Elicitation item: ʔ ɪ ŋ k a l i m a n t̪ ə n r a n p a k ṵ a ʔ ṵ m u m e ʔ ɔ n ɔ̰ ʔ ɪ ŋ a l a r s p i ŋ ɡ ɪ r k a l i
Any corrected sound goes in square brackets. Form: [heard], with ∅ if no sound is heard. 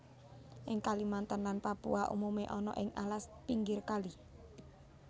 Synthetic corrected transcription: ʔ ɪ ŋ k a l i m a n t̪ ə n [l] a n p a [p] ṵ a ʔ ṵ m u m e ʔ ɔ n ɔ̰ ʔ ɪ ŋ a l a [∅] s p i ŋ ɡ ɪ r k a l i